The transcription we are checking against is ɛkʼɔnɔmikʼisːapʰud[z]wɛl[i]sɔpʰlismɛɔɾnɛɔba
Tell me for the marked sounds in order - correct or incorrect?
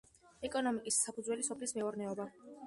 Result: correct, correct

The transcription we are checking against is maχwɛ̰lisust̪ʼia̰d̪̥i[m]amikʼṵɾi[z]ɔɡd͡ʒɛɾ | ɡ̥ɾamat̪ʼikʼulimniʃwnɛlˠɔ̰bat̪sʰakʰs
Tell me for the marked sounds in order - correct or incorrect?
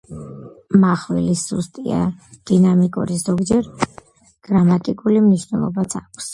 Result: incorrect: n, correct

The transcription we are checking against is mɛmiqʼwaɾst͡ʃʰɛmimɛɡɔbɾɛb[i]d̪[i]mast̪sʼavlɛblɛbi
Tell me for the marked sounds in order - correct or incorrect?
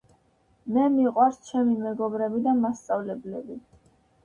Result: correct, incorrect: a

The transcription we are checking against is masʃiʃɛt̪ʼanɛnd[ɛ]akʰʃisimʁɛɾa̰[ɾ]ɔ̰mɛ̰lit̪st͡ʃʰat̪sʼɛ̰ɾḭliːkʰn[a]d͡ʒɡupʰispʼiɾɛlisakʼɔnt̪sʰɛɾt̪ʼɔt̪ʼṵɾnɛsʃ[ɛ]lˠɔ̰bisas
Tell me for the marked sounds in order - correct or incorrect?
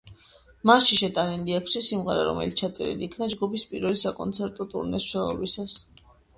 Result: incorrect: i, correct, correct, correct

